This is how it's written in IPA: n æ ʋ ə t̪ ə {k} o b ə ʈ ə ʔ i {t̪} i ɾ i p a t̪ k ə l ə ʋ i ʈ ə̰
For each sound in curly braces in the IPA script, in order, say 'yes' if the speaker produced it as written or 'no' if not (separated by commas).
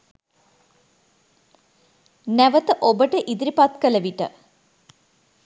no, no